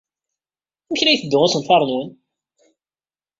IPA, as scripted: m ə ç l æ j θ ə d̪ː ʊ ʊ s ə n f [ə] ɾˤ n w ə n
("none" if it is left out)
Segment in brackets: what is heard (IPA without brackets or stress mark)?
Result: ɑ